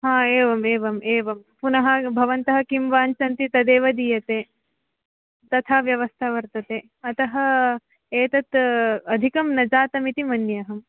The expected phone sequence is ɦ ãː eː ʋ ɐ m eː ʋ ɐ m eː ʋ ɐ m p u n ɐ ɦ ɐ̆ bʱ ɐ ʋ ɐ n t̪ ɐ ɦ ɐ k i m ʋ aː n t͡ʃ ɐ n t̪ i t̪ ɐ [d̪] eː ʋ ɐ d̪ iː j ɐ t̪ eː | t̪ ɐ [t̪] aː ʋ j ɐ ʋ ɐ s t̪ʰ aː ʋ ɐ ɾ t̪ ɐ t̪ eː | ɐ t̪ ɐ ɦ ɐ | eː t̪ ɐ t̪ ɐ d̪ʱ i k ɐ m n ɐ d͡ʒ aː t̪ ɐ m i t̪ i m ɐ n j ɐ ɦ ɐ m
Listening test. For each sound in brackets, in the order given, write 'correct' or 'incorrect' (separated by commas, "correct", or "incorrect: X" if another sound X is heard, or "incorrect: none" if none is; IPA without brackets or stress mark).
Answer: correct, incorrect: t̪ʰ